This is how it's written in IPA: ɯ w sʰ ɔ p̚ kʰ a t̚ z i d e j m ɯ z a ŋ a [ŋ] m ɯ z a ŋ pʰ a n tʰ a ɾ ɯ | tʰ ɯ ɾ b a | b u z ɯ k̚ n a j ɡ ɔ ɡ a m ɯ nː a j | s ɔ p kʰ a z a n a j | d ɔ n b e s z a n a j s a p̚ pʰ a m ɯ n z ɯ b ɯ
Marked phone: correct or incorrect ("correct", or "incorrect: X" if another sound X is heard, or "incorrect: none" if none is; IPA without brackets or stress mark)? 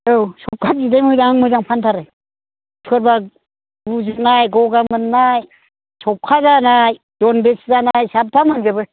correct